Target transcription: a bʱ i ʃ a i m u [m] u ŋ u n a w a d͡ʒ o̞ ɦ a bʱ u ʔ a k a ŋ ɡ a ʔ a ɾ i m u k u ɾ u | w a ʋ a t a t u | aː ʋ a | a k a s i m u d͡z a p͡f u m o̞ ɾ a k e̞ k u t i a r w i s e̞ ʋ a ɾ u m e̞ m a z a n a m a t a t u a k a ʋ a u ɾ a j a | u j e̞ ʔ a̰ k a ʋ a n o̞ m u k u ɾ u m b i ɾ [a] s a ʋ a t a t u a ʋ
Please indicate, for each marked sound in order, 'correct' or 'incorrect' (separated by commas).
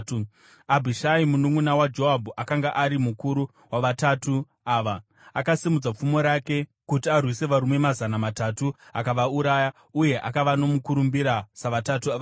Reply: incorrect, correct